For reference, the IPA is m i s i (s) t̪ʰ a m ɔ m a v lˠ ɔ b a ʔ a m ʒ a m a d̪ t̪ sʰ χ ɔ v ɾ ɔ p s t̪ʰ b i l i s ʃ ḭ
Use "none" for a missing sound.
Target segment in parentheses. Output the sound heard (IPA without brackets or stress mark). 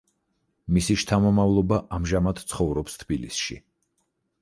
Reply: ʃ